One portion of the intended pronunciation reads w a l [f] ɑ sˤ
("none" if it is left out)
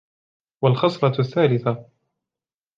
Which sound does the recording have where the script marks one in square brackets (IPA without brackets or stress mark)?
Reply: x